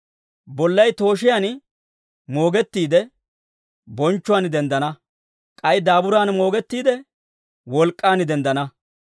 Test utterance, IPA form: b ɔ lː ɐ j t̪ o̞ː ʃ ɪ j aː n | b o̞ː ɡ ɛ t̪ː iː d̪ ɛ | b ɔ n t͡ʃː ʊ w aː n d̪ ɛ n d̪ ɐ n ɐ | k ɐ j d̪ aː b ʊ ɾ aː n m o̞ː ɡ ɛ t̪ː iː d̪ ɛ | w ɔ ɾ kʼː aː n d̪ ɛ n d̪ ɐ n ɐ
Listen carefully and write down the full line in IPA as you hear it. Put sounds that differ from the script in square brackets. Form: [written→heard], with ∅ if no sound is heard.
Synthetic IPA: b ɔ lː ɐ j t̪ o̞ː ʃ ɪ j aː n | [b→m] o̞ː ɡ ɛ t̪ː iː d̪ ɛ | b ɔ n t͡ʃː ʊ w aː n d̪ ɛ n d̪ ɐ n ɐ | [k→kʼ] ɐ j d̪ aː b ʊ ɾ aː n m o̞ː ɡ ɛ t̪ː iː d̪ ɛ | w ɔ [ɾ→l] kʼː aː n d̪ ɛ n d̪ ɐ n ɐ